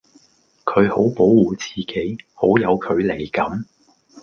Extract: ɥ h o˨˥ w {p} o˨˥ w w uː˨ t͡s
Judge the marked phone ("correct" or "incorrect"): correct